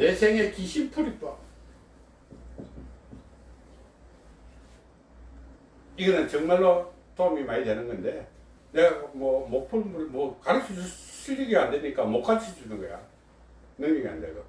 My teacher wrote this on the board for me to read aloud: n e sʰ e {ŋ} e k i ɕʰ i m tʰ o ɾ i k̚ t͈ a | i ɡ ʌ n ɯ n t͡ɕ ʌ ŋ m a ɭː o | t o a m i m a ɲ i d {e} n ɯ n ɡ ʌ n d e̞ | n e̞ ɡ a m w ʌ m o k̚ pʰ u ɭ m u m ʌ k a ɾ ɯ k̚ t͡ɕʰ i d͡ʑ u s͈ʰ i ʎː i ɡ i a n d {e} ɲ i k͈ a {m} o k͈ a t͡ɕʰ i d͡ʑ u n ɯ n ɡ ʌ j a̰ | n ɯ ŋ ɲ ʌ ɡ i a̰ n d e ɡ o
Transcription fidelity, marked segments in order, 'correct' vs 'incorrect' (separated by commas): correct, correct, correct, correct